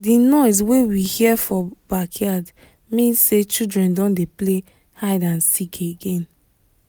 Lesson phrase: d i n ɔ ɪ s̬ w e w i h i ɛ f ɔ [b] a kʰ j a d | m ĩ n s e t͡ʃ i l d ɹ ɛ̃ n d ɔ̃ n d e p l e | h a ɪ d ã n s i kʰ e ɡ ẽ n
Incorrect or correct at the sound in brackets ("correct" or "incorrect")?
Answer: correct